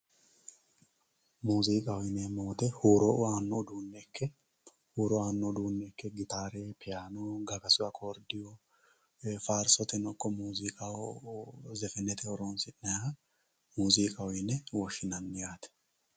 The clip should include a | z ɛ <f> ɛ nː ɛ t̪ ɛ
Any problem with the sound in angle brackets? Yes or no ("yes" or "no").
no